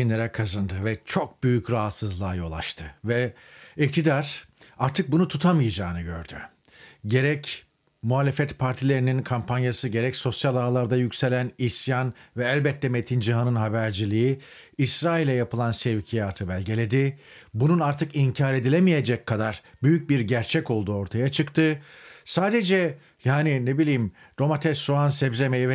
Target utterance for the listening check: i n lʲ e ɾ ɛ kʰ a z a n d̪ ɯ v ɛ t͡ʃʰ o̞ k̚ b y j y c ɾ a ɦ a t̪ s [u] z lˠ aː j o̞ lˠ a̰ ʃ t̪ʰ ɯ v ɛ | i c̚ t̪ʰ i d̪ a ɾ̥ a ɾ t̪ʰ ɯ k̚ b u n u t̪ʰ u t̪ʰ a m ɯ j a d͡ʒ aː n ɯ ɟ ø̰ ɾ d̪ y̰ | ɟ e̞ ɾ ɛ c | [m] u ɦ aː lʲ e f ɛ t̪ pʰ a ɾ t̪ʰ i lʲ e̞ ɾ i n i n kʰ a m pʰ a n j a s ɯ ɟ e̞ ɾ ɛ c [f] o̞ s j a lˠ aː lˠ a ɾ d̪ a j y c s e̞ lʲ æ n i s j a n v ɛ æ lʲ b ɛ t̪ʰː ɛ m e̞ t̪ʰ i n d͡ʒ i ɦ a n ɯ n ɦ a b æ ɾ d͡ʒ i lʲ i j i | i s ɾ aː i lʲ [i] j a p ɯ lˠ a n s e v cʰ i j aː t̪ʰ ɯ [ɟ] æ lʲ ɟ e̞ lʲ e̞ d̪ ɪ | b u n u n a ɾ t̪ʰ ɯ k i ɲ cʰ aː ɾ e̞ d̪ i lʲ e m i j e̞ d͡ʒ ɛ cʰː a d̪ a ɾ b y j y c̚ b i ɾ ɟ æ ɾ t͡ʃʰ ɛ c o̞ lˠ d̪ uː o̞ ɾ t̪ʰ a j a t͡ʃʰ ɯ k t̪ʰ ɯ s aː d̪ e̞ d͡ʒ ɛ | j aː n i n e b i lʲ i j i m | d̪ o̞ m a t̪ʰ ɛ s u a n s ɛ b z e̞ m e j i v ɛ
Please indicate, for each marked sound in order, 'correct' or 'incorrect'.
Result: incorrect, correct, incorrect, incorrect, incorrect

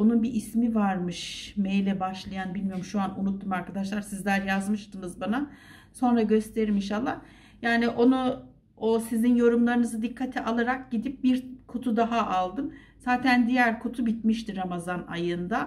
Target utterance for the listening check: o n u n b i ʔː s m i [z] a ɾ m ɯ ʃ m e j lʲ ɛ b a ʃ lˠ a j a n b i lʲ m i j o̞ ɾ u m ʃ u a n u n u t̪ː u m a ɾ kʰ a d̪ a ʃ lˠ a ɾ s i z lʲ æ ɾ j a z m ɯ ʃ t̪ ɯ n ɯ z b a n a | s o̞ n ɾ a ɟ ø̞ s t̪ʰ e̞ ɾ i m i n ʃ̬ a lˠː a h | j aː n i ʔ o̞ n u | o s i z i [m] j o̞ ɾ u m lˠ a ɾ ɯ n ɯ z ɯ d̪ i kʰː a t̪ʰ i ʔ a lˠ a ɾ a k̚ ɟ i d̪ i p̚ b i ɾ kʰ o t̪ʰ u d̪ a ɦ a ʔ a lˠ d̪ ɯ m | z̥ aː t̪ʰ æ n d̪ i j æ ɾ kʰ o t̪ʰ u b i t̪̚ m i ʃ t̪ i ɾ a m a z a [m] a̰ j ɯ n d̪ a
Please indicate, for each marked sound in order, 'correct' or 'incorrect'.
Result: incorrect, incorrect, incorrect

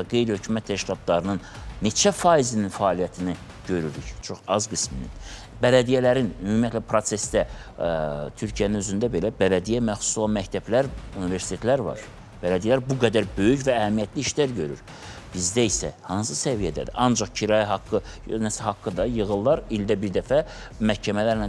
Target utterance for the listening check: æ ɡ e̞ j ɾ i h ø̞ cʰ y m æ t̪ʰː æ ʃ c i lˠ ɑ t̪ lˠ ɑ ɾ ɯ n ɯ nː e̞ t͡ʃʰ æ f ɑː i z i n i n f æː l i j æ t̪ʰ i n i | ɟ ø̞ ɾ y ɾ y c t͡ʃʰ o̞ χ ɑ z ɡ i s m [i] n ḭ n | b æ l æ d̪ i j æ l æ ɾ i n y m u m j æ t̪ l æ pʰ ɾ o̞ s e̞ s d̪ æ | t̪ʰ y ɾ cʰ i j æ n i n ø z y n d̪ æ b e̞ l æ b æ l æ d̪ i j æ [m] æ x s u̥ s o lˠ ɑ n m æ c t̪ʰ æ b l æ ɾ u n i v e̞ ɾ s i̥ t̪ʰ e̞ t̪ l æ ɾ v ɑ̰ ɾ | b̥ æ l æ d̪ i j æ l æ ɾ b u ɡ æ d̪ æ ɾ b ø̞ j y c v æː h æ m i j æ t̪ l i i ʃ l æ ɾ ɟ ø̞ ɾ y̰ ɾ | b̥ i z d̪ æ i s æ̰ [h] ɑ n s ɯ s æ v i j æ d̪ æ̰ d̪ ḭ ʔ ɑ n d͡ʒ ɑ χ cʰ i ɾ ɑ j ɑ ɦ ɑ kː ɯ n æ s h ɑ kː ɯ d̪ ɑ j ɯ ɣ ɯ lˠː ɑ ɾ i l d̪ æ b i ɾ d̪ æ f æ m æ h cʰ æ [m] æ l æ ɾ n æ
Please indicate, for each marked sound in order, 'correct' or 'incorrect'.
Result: correct, correct, correct, correct

